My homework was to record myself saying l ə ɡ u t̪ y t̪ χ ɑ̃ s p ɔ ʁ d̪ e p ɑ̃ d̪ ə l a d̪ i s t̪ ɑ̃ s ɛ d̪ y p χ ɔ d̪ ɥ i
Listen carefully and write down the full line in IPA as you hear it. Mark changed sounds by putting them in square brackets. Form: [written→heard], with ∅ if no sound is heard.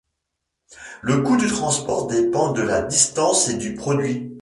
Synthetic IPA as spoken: l ə [ɡ→k] u [t̪→d̪] y t̪ χ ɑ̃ s p ɔ ʁ d̪ e p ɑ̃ d̪ ə l a d̪ i s t̪ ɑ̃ s [ɛ→e] d̪ y p χ ɔ d̪ ɥ i